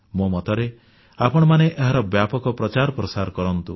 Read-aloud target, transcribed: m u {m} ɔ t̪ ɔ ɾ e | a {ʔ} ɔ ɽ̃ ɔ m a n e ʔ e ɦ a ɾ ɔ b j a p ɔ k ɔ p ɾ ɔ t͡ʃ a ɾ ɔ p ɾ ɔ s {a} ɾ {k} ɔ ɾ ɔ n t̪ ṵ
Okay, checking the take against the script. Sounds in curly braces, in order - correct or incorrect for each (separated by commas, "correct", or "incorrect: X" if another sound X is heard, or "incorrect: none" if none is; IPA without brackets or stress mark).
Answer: correct, incorrect: p, correct, correct